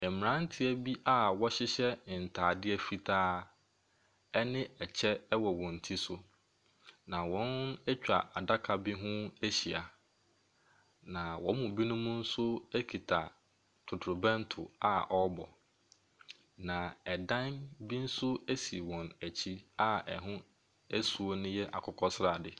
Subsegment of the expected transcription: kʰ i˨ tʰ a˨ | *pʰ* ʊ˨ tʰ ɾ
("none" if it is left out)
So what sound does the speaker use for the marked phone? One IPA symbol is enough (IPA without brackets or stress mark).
tʰ